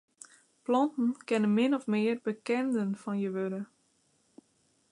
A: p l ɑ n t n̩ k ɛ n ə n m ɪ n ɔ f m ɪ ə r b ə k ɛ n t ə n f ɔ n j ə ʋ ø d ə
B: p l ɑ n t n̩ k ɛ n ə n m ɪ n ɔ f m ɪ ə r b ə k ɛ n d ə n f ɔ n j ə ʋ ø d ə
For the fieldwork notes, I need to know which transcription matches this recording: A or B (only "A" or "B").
B